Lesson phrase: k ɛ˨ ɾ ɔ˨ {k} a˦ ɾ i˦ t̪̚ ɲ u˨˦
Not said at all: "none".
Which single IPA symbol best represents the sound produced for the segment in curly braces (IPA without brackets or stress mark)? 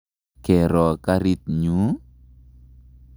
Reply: k